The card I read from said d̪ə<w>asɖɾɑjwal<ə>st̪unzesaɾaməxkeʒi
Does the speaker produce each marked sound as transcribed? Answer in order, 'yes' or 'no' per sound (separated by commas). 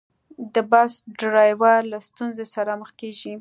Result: no, no